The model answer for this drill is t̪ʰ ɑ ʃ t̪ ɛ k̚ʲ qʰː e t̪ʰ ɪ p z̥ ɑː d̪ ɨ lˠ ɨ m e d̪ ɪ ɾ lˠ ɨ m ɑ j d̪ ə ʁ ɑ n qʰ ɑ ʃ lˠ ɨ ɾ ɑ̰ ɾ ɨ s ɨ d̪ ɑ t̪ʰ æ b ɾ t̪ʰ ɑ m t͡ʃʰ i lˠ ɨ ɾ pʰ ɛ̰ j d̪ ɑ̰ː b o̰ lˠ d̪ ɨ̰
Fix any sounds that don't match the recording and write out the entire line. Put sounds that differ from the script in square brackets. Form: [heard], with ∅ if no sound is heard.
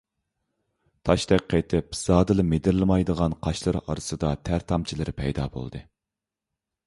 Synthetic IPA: t̪ʰ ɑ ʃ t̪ ɛ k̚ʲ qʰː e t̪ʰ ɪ p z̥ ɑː d̪ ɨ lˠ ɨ m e d̪ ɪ ɾ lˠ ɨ m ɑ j d̪ ə ʁ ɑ n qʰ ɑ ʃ lˠ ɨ ɾ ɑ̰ ɾ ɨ s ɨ d̪ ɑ t̪ʰ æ [∅] ɾ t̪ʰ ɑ m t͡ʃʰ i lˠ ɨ ɾ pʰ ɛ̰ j d̪ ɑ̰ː b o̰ lˠ d̪ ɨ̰